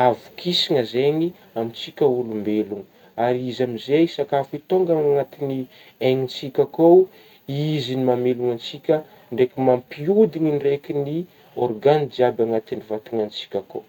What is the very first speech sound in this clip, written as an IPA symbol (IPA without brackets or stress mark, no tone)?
a